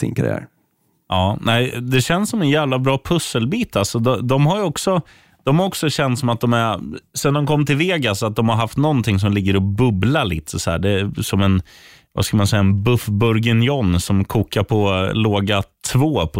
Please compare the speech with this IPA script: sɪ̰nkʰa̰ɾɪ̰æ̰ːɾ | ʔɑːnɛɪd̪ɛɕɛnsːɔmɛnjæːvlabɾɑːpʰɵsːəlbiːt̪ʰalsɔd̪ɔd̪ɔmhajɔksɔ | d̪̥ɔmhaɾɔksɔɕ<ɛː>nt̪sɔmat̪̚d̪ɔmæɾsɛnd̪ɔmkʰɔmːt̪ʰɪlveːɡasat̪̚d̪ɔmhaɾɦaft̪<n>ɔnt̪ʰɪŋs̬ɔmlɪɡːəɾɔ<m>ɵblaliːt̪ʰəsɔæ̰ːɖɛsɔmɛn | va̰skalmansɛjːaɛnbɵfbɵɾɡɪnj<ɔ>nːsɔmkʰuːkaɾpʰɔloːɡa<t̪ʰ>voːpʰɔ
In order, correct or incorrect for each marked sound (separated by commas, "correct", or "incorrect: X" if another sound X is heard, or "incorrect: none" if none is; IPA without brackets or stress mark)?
incorrect: ɛ, correct, incorrect: b, correct, correct